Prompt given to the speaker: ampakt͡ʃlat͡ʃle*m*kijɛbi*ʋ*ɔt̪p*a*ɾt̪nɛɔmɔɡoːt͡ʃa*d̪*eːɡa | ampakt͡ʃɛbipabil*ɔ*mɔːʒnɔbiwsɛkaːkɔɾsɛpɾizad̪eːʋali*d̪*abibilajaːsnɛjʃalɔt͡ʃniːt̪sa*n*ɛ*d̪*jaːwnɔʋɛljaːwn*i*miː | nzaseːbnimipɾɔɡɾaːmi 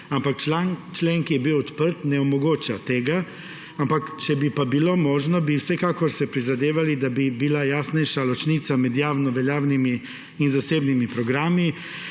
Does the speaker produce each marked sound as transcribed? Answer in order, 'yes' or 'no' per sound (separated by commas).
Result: no, no, no, no, no, yes, no, yes, yes